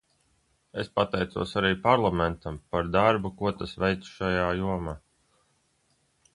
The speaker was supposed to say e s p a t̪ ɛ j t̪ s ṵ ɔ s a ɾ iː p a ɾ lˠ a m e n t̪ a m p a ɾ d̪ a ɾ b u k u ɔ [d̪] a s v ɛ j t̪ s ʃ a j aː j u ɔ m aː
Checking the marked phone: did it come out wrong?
yes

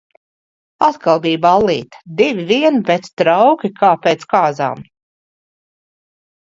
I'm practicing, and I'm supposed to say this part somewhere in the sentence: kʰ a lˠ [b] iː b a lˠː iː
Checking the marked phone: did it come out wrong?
no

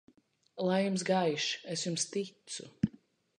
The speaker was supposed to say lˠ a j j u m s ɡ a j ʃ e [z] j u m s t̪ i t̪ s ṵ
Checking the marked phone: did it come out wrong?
yes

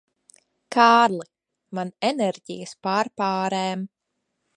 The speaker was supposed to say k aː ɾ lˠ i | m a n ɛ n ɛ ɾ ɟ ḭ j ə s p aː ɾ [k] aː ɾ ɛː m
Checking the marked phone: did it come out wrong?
yes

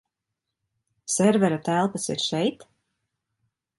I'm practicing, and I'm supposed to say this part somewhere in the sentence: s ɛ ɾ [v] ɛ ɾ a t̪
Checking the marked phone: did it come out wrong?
no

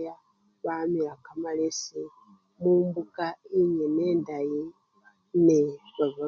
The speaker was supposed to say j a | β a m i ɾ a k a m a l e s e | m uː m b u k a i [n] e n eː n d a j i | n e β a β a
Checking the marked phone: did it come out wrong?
yes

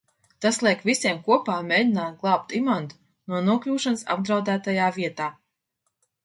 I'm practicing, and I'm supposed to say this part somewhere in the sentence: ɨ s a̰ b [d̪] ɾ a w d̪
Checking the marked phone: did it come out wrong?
no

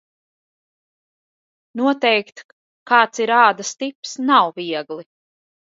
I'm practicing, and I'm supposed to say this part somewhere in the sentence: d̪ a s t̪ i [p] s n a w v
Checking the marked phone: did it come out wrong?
no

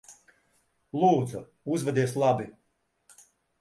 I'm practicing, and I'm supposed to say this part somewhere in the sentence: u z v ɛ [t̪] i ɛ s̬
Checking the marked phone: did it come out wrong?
yes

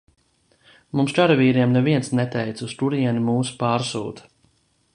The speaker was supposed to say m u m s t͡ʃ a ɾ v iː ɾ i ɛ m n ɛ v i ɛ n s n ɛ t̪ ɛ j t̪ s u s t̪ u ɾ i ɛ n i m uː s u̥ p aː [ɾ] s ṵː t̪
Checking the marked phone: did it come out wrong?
no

